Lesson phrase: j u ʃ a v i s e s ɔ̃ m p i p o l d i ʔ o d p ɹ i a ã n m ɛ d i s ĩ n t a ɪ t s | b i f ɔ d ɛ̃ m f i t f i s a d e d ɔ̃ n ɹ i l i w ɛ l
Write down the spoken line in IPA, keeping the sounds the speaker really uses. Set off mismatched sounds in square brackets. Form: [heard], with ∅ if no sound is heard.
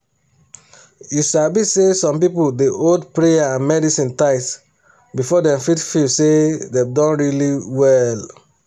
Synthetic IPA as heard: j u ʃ a [b] i s e s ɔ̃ m p i p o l d [e] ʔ o d p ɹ [e] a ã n m ɛ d i s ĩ n t a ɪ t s | b i f ɔ d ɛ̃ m f i t f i s [e] d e d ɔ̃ n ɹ i l i w ɛ l